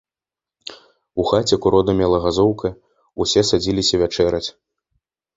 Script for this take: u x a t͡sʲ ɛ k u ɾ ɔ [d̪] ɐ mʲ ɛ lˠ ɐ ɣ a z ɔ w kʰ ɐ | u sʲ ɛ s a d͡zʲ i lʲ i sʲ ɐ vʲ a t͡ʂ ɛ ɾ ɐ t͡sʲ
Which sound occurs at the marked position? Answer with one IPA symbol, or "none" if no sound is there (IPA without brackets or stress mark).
d̪